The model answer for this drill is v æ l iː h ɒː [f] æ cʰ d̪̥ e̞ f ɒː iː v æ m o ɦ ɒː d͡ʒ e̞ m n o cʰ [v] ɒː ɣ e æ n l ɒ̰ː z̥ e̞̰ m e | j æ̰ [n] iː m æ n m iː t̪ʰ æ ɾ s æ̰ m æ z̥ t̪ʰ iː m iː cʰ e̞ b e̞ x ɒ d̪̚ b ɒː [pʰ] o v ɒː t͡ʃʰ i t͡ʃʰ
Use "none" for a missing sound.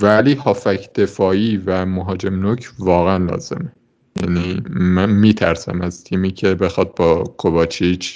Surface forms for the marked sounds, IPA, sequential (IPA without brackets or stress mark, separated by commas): f, v, n, kʰ